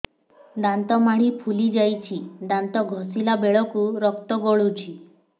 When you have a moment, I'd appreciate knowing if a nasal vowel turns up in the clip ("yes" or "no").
no